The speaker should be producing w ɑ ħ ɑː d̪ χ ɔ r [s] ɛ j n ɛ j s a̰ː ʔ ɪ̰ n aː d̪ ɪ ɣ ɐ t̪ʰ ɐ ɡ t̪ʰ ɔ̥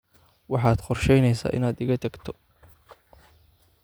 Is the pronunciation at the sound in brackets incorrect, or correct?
incorrect